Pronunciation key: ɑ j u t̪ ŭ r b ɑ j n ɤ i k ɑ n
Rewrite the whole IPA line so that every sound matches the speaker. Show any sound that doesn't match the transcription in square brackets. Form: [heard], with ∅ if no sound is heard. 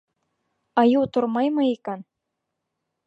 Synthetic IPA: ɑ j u t̪ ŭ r [m] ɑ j [m] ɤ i k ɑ n